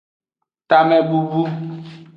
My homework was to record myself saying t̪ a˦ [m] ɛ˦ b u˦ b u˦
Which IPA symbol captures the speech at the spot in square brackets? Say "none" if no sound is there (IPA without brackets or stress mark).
m